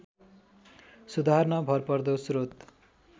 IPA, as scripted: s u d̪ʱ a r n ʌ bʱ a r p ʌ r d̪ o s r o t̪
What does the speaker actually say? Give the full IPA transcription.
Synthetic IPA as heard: s u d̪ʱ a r n ʌ bʱ ʌ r p ʌ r d̪ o s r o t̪